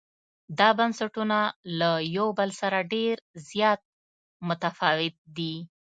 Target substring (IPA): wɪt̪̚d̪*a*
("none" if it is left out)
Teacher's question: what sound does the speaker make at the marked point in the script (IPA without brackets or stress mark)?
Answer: i